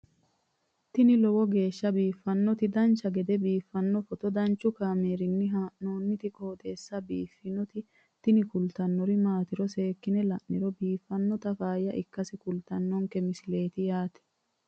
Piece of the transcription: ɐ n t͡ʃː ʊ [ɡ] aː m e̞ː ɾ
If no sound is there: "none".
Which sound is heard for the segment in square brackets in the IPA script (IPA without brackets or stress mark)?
k